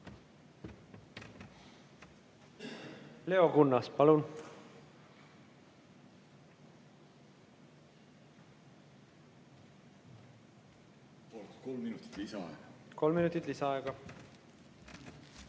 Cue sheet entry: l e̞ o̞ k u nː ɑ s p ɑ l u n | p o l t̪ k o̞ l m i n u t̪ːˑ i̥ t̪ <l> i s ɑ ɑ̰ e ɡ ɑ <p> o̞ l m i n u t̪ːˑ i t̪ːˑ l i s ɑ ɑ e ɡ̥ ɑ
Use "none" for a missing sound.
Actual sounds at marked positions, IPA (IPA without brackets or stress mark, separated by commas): l, k